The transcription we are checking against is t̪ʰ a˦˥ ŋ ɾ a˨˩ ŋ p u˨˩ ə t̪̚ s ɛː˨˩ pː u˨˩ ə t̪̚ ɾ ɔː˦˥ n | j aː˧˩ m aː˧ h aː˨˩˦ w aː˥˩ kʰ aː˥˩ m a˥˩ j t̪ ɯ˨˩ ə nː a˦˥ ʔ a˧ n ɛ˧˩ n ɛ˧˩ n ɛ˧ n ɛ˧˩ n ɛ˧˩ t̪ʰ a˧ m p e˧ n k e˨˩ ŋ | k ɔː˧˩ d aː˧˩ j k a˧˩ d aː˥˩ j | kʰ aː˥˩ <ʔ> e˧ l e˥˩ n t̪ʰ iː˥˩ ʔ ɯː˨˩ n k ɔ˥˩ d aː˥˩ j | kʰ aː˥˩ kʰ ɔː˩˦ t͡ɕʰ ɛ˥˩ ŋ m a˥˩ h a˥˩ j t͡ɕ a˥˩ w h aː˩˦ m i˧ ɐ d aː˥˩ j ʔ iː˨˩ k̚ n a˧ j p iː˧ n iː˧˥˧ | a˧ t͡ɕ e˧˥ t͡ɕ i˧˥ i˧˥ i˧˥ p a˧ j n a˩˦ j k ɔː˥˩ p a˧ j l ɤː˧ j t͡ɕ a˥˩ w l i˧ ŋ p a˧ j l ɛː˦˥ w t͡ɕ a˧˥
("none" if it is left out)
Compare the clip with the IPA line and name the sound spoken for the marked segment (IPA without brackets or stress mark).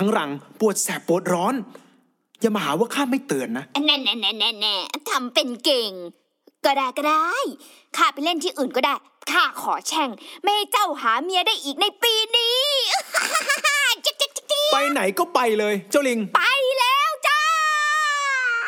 p